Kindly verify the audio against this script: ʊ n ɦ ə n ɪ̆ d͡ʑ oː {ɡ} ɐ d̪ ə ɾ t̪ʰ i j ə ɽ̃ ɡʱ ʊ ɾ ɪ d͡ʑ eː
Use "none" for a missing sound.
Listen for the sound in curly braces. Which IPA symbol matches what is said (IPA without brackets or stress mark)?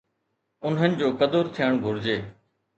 k